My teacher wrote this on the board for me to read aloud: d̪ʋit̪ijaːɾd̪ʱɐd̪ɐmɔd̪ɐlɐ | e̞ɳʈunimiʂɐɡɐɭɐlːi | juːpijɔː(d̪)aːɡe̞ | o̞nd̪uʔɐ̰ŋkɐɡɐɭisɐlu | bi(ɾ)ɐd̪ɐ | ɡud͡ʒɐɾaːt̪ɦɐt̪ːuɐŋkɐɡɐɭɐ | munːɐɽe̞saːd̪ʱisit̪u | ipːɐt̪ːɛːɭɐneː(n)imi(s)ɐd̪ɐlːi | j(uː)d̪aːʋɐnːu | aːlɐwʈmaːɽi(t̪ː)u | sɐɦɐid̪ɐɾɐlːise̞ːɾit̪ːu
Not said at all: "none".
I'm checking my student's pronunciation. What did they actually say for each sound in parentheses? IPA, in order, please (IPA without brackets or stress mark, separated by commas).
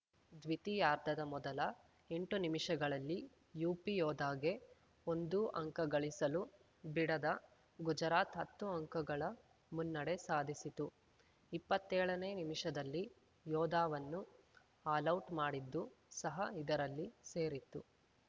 d̪, ɽ, n, ʂ, ɔː, d̪ː